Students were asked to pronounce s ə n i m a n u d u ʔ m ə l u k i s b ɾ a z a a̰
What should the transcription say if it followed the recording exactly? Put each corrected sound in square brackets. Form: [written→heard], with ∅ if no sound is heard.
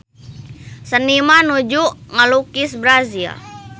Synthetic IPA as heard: s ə n i m a n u [d→d͡ʒ] u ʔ [m→ŋ] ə l u k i s b ɾ a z [a→i] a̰